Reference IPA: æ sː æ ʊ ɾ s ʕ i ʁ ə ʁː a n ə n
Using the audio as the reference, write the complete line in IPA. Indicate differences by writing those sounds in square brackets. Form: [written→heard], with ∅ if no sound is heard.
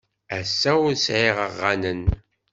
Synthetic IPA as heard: æ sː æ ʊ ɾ s ʕ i ʁ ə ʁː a n ə n